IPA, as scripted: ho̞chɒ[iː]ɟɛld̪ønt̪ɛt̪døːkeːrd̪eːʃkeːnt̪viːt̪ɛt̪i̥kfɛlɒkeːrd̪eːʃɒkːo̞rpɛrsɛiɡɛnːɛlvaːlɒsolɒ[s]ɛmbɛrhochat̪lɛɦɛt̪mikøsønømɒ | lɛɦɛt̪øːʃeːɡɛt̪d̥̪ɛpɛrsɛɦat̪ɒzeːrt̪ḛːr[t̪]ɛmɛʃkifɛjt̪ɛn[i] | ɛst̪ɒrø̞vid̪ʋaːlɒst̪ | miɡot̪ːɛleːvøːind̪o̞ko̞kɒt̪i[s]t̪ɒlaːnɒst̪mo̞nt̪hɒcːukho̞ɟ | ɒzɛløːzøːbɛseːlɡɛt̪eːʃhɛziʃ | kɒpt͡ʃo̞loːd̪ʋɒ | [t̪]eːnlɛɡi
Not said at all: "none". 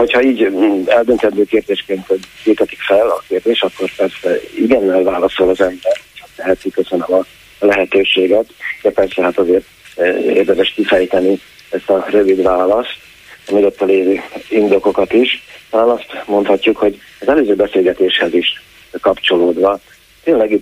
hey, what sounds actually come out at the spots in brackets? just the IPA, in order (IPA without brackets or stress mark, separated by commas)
iː, z, d̪, i, ʃ, t̪